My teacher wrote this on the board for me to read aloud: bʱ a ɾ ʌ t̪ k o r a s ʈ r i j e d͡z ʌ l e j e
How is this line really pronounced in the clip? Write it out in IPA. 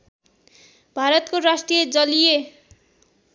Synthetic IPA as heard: bʱ a ɾ ʌ t̪ k o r a s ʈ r i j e d͡z ʌ l i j e